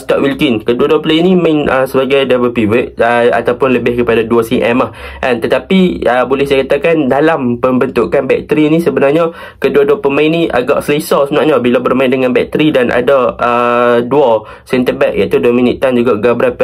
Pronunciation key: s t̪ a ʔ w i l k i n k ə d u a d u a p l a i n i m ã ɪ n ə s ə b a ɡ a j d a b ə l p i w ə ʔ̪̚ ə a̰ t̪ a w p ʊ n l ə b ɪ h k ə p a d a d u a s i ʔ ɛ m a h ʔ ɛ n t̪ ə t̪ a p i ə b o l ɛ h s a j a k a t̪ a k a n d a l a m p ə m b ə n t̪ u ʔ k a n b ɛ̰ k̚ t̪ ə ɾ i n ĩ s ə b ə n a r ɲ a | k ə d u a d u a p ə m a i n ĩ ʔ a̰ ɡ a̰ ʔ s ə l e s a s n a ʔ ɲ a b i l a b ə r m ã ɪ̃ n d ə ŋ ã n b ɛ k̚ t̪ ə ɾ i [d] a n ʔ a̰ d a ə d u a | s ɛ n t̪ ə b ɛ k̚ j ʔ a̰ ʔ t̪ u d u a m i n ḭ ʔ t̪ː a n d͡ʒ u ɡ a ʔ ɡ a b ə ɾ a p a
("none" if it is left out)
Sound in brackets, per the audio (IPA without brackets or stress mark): d